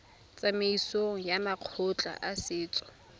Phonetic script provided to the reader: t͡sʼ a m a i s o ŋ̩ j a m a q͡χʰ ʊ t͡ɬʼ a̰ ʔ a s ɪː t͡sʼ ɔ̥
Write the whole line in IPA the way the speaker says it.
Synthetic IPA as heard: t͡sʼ a m e i s o ŋ̩ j a m a q͡χʰ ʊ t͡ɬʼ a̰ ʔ a s ɪː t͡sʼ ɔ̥